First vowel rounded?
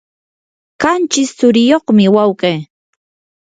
no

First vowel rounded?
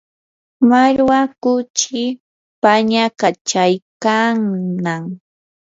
no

